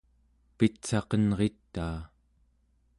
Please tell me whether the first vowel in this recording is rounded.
no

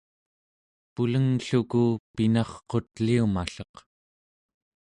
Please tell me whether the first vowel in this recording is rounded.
yes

